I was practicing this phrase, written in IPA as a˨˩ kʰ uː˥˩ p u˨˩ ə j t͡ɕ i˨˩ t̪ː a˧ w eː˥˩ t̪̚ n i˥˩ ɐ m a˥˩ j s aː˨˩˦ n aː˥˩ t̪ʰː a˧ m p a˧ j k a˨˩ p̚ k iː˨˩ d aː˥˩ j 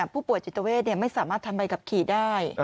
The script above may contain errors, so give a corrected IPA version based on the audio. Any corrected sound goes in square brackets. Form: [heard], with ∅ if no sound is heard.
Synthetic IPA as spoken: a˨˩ [pʰ] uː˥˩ p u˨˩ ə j t͡ɕ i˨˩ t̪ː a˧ w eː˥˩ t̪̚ n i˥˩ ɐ m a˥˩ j s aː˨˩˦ [m] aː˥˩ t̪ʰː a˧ m p a˧ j k a˨˩ p̚ [kʰ] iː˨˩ d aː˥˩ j